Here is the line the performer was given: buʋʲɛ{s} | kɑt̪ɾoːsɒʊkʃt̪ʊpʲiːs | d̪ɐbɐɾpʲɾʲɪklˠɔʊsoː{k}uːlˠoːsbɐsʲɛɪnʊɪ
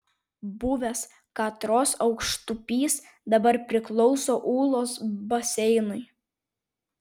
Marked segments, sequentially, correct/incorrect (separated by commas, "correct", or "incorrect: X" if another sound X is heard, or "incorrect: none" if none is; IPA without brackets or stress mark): correct, incorrect: ʔ